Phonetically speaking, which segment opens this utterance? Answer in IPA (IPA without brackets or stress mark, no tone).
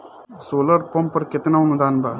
s